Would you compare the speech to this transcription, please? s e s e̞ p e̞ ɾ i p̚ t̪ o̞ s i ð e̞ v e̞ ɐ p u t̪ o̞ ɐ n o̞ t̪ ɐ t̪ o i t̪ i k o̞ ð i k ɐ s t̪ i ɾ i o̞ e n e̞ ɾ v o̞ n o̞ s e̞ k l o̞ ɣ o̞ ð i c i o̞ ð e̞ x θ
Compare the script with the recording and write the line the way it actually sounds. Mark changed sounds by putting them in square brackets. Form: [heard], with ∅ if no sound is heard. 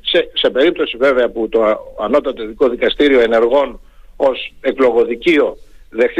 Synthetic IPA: s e s e̞ p e̞ ɾ i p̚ t̪ o̞ s i [v] e̞ v e̞ ɐ p u t̪ o̞ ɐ n o̞ t̪ ɐ t̪ o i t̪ i k o̞ ð i k ɐ s t̪ i ɾ i o̞ e n e̞ ɾ [ɣ] o̞ n o̞ s e̞ k l o̞ ɣ o̞ ð i c i o̞ ð e̞ x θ